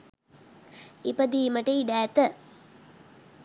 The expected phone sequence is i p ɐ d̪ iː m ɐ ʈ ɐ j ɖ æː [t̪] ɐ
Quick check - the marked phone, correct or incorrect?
correct